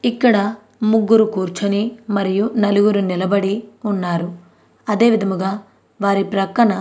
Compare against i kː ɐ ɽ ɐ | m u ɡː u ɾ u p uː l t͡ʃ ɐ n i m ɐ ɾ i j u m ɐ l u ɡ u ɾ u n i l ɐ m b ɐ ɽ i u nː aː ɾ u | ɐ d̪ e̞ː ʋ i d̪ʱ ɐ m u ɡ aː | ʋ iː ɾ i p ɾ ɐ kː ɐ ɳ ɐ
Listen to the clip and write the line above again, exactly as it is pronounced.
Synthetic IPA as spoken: i kː ɐ ɽ ɐ | m u ɡː u ɾ u k uː ɾ t͡ʃ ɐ n i m ɐ ɾ i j u n ɐ l u ɡ u ɾ u n i l ɐ b ɐ ɽ i u nː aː ɾ u | ɐ d̪ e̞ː ʋ i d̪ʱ ɐ m u ɡ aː | ʋ aː ɾ i p ɾ ɐ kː ɐ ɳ ɐ